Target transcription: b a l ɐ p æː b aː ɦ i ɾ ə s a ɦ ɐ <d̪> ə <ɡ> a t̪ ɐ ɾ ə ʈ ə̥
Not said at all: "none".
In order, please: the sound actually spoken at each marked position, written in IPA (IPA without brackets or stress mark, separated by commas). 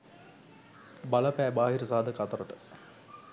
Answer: d̪, k